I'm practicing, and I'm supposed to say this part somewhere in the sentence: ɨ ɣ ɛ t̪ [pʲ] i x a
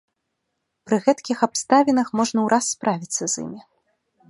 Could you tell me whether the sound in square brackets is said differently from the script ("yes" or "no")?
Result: yes